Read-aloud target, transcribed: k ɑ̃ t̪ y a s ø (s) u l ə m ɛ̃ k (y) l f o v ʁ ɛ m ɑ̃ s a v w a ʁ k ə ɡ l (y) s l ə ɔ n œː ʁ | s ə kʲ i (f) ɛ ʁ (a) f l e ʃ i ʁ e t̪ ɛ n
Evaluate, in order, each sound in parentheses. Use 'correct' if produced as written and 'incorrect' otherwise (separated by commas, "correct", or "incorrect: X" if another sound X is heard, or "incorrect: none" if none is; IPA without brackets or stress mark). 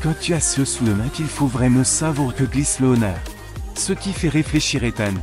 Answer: correct, incorrect: i, incorrect: i, correct, incorrect: e